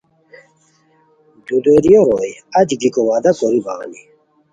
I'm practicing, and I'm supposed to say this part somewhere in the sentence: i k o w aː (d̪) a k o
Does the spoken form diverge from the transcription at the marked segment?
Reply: no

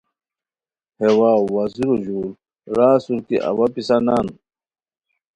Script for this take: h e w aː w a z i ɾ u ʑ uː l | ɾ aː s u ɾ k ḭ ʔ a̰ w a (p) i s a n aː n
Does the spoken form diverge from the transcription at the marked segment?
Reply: no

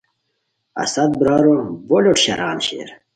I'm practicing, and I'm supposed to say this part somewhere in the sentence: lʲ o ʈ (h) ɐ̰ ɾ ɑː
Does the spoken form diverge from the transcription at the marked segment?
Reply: yes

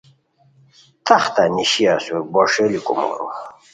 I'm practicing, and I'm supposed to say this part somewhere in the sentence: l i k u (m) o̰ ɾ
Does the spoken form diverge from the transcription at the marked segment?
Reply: no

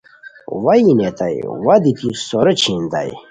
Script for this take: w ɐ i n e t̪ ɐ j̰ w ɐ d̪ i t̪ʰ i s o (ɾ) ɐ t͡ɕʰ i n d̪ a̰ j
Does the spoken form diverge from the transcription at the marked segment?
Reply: no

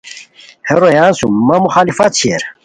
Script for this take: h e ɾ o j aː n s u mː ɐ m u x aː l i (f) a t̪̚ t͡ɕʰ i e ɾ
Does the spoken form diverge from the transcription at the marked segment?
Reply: no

